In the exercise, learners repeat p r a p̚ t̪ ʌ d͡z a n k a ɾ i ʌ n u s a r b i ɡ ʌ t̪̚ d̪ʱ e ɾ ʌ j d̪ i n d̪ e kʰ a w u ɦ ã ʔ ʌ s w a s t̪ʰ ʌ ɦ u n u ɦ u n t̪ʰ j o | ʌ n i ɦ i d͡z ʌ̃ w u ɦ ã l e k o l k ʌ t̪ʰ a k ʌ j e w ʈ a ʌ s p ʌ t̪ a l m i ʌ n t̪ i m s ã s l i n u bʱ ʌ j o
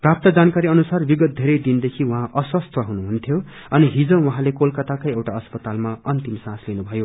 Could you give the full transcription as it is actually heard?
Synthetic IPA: p r a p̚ t̪ ʌ d͡z a n k a ɾ i ʌ n u s a r b i ɡ ʌ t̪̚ d̪ʱ e ɾ ʌ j d̪ i n d̪ e kʰ i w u ɦ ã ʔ ʌ s w ʌ s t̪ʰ ʌ ɦ u n u ɦ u n t̪ʰ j o | ʌ n i ɦ i d͡z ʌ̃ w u ɦ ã l e k o l k ʌ t̪ a k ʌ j e w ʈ a ʌ s p ʌ t̪ a l m a ʌ n t̪ i m s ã s l i n u bʱ ʌ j o